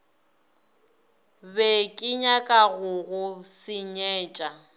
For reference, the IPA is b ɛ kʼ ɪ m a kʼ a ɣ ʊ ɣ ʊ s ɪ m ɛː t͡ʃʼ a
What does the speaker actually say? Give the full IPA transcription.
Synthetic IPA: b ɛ kʼ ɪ ɲ a kʼ a ɣ ʊ ɣ ʊ s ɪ ɲ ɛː t͡ʃʼ a